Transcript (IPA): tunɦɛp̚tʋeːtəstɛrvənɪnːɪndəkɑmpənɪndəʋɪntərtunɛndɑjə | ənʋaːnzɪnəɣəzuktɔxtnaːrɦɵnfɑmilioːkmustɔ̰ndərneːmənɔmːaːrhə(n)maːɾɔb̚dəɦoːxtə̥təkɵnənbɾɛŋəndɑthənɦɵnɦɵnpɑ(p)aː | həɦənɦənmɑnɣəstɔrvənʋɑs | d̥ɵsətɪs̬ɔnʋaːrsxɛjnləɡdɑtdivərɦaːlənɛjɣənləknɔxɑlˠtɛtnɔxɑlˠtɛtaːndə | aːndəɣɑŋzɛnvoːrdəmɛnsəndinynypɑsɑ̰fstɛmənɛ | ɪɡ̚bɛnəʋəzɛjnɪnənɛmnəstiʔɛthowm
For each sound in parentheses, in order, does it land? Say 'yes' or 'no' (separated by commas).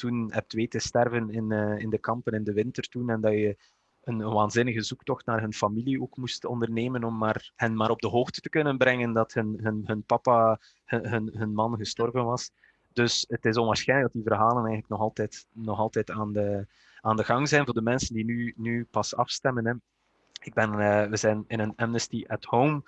yes, yes